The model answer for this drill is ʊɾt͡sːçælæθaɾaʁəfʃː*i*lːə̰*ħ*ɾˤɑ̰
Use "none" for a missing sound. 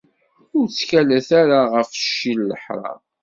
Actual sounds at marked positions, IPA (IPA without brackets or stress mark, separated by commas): i, ħ